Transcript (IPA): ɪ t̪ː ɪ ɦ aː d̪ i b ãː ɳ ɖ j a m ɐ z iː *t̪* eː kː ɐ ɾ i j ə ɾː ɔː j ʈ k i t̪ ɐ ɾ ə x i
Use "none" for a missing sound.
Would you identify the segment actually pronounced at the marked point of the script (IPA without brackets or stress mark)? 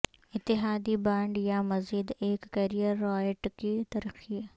d̪